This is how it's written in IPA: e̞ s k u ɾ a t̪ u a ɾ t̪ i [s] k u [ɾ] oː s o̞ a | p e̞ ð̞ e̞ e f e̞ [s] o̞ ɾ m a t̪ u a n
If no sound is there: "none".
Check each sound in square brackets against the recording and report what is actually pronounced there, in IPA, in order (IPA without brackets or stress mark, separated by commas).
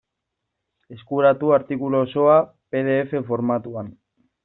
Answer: none, l, f